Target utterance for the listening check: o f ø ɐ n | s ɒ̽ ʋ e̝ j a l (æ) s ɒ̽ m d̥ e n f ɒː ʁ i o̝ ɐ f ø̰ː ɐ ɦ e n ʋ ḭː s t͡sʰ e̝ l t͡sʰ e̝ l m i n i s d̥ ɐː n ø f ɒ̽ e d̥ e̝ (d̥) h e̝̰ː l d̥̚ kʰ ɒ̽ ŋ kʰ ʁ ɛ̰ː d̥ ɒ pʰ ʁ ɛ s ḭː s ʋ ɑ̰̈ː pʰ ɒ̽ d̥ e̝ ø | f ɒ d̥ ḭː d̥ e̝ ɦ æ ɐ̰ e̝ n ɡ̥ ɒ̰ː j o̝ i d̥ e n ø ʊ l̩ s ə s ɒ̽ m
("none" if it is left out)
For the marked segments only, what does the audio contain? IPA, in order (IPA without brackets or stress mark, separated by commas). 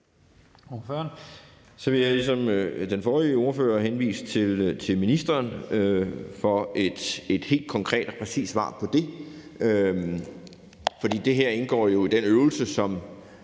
i, d̥